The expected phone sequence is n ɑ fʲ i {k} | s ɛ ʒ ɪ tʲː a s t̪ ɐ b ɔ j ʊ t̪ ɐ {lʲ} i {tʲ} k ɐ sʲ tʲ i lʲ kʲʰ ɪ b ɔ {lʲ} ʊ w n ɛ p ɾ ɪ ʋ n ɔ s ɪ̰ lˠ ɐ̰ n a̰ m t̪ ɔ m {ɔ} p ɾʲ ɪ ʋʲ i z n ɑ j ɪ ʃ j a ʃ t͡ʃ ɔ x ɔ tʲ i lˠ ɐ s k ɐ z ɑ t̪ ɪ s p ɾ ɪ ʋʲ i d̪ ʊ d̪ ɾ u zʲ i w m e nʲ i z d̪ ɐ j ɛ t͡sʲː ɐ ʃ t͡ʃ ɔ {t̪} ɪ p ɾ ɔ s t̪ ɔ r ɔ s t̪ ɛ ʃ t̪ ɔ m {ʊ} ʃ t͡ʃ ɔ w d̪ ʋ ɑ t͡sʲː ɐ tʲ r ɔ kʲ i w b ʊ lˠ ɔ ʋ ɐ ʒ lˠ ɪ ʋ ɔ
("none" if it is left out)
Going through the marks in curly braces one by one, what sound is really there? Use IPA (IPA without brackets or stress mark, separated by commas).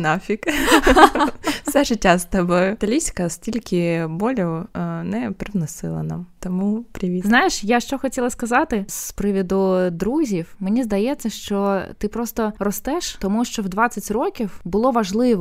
k, lʲ, sʲ, lʲ, u, t̪, u